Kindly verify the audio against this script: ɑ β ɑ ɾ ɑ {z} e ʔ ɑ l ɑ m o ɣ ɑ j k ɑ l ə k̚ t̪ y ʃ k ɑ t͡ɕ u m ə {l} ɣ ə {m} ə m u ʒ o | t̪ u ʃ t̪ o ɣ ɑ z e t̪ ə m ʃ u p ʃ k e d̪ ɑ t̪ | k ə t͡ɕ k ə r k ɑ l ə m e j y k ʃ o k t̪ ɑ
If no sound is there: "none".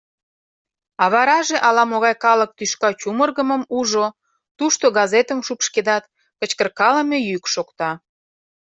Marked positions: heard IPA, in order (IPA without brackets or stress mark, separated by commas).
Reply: ʒ, r, m